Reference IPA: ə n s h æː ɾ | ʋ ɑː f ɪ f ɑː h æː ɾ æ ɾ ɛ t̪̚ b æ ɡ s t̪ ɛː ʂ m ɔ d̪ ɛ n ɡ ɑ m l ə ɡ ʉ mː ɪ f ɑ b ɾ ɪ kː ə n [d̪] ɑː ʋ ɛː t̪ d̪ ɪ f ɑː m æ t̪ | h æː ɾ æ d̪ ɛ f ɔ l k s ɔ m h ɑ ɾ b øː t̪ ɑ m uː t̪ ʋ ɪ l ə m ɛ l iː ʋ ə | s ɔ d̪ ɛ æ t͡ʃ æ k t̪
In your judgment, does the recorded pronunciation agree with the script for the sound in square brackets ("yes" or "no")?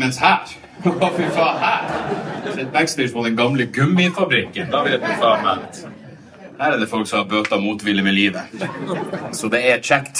yes